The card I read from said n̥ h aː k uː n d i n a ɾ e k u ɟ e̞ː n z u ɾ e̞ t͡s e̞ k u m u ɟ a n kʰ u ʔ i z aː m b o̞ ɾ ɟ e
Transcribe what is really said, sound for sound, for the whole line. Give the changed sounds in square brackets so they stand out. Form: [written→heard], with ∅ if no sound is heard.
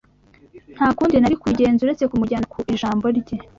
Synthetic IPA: n̥ h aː k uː n d i n a ɾ [e→i] k u ɟ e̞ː n z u ɾ e̞ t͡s e̞ k u m u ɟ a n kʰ u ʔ i [z→ʒ] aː m b o̞ ɾ ɟ e